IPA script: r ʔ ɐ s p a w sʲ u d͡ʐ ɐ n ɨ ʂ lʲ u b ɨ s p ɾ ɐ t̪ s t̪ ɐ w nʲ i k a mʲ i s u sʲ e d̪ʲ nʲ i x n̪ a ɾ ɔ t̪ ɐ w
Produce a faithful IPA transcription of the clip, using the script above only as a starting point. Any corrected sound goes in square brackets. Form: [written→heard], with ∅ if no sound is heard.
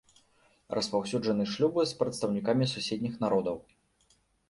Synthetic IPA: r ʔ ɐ s p a w sʲ u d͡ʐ ɐ n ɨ ʂ lʲ u b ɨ s p ɾ ɐ t̪ s t̪ ɐ w nʲ i k a mʲ i s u sʲ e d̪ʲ nʲ i x n̪ a ɾ ɔ [t̪→d̪] ɐ w